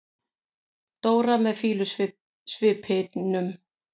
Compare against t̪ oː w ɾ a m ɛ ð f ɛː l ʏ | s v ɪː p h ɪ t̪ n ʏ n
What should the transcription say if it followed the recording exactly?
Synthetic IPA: t̪ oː w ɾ a m ɛ ð f iː l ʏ | s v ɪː p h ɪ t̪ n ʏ m